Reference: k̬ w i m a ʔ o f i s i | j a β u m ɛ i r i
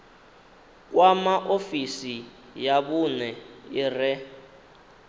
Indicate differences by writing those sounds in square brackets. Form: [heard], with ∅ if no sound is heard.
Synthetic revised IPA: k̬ w [a] m a ʔ o f i s i | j a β u [n] ɛ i r [ɛ]